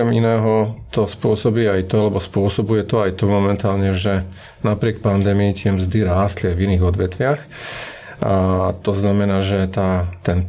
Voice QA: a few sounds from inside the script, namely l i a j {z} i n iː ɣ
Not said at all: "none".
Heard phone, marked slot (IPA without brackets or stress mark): v